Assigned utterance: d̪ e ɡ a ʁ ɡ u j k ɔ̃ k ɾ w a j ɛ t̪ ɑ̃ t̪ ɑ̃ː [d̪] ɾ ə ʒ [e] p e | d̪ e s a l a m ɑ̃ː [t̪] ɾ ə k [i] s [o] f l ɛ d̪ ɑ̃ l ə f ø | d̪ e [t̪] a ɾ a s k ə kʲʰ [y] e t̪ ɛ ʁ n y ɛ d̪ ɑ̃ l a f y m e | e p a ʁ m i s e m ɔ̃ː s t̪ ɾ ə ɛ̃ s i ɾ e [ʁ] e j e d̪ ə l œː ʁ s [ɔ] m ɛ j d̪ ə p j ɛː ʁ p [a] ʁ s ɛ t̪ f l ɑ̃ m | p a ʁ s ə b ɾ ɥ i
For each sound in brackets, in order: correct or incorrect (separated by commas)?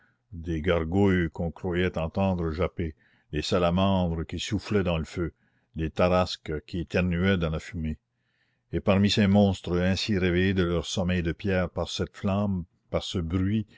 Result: correct, incorrect, incorrect, correct, incorrect, correct, incorrect, incorrect, correct, correct